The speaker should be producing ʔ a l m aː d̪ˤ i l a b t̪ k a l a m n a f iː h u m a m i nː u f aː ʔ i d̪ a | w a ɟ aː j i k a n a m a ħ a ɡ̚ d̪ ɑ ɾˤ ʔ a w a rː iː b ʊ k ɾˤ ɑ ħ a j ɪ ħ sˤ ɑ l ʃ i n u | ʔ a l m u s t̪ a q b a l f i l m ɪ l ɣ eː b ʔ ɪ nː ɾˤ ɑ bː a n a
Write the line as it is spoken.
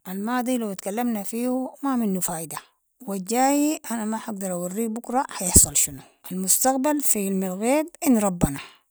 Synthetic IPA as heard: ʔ a l m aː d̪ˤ i l a w t̪ k a lː a m n a f iː h u m a m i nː u f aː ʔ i d̪ a | w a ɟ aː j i ʔ a n a m a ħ a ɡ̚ d̪ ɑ ɾˤ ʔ a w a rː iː b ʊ k ɾˤ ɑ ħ a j ɪ ħ sˤ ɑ l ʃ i n u | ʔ a l m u s t̪ a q b a l f i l m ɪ l ɣ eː b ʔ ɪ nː ɾˤ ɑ bː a n a